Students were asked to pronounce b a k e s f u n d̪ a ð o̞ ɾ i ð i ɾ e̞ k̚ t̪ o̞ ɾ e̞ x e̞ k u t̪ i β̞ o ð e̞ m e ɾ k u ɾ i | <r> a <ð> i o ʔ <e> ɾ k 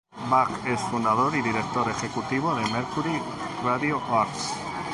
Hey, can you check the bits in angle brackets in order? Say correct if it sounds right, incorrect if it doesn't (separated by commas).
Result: correct, correct, incorrect